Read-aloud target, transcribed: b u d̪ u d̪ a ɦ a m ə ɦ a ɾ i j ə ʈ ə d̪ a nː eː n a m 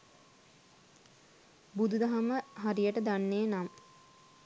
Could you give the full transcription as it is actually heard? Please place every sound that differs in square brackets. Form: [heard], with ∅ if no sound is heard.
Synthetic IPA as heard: b u d̪ u d̪ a ɦ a m ə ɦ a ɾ i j ə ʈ ə d̪ a nː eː n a m

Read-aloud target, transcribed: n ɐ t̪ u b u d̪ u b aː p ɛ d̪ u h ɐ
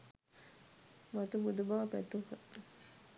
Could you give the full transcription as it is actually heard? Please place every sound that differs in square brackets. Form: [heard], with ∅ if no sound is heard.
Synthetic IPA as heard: [m] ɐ t̪ u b u d̪ u b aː p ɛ [t̪] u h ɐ

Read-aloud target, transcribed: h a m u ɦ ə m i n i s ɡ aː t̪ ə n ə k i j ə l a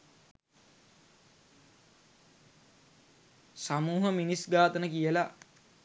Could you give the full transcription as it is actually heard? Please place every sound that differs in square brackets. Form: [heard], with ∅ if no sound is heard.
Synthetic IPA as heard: [s] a m [uː] ɦ ə m i n i s ɡ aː t̪ ə n ə k i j ə l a

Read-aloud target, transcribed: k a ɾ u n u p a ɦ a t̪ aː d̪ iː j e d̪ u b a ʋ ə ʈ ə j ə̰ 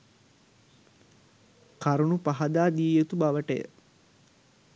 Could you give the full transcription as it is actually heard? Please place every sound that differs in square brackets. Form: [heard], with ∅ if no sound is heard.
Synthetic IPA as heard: k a ɾ u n u p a ɦ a [d̪] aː d̪ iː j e [t̪] u b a ʋ ə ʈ ə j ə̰

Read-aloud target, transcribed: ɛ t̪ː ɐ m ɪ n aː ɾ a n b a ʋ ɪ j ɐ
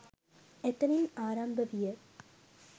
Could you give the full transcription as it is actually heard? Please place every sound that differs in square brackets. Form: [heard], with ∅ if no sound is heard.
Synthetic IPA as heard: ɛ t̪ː ɐ [n] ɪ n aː ɾ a [m] b [ɐ] ʋ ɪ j ɐ

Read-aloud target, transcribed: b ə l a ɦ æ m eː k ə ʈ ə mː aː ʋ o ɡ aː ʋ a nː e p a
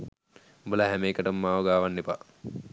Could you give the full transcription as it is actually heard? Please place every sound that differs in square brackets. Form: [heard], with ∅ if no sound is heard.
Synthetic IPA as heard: b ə l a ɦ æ m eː k ə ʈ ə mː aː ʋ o ɡ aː ʋ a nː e p a

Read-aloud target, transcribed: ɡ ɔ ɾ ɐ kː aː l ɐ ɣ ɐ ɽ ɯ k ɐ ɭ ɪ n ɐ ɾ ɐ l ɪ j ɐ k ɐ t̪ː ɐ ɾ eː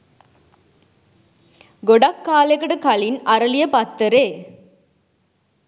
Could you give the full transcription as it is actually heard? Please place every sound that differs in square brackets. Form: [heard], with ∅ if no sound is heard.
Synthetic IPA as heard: ɡ ɔ [ɽ] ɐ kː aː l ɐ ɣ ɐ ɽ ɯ k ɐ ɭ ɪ n ɐ ɾ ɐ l ɪ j ɐ [p] ɐ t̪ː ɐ ɾ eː

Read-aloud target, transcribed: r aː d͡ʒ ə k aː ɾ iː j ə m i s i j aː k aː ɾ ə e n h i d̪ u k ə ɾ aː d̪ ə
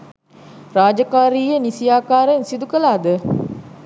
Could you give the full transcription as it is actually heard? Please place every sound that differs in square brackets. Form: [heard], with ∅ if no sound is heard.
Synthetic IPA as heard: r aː d͡ʒ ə k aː ɾ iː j ə [n] i s i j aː k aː ɾ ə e n [s] i d̪ u k ə [l] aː d̪ ə

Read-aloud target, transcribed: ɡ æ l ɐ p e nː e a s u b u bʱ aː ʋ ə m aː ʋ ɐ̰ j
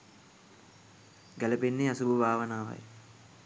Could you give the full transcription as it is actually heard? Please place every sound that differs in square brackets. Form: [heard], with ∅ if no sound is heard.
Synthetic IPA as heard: ɡ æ l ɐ p e nː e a s u b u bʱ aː ʋ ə [n] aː ʋ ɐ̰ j

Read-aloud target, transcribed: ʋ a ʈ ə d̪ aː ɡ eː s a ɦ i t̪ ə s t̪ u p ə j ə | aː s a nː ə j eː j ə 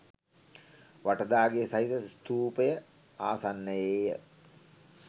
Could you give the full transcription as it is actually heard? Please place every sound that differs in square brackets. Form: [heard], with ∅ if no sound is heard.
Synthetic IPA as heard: ʋ a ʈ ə d̪ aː ɡ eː s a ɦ i t̪ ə s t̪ [uː] p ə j ə | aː s a nː ə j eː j ə

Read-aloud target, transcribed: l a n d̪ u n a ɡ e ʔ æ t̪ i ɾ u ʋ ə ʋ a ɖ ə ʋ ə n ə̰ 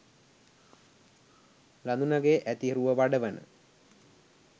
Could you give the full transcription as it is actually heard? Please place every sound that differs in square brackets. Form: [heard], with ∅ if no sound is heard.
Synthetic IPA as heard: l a n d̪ u n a ɡ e ʔ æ t̪ i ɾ u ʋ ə ʋ a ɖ ə ʋ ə n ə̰

